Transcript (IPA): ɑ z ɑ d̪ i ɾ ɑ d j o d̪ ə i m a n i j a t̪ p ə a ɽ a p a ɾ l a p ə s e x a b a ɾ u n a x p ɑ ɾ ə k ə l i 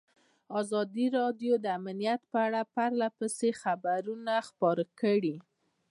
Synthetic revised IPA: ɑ z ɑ d̪ i ɾ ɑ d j o d̪ ə a m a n i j a t̪ p ə a ɽ a p a ɾ l a p ə s e x a b a ɾ u n a x p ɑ ɾ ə k ə ɽ i